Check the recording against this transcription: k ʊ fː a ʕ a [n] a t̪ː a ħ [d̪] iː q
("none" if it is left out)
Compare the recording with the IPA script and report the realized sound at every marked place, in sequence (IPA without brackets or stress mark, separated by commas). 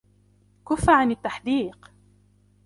n, d̪